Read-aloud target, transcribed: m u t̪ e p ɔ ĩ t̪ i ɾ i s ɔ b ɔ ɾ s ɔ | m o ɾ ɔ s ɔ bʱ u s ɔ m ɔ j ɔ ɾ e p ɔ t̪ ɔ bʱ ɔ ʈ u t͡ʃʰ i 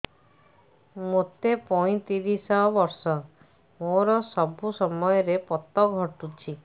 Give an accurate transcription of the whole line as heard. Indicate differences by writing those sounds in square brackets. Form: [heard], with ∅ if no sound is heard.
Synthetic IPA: m [o] t̪ e p ɔ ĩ t̪ i ɾ i s ɔ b ɔ ɾ s ɔ | m o ɾ ɔ s ɔ bʱ u s ɔ m ɔ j ɔ ɾ e p ɔ t̪ ɔ [ɡʱ] ɔ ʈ u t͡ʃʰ i